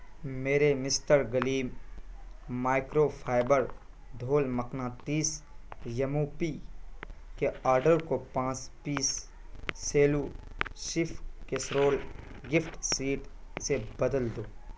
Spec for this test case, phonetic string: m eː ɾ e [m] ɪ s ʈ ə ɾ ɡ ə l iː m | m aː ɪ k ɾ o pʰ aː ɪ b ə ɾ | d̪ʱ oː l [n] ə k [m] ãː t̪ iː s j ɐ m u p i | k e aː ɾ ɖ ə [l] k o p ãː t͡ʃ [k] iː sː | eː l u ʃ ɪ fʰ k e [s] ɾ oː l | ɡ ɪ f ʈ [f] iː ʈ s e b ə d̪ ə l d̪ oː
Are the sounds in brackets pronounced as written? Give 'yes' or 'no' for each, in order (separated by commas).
yes, no, no, no, no, yes, no